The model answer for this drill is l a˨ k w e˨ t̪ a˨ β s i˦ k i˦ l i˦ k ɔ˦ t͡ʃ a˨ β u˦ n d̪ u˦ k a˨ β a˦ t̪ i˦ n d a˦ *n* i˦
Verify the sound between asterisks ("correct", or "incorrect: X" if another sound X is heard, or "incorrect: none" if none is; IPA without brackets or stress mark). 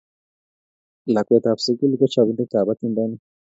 correct